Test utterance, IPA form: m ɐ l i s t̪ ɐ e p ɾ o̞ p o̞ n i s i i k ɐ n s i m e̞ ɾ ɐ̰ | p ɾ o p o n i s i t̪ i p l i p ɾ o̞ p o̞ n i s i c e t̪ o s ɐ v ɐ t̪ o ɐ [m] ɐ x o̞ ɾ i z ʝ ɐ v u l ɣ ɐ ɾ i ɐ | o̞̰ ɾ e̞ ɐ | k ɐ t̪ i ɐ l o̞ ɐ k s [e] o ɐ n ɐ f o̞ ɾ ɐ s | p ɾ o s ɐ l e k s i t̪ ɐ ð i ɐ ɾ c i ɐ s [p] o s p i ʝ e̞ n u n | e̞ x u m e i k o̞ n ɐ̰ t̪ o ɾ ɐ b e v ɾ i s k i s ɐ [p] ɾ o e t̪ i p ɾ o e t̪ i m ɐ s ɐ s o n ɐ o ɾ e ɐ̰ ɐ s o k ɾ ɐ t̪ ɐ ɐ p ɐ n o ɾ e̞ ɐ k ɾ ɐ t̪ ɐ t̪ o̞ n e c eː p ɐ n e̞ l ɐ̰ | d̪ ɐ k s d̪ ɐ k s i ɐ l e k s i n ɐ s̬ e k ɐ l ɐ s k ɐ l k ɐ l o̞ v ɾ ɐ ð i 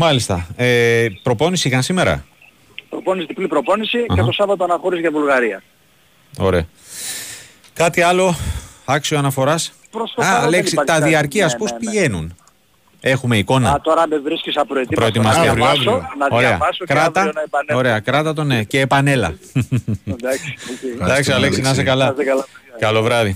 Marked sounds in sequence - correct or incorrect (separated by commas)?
incorrect, incorrect, correct, correct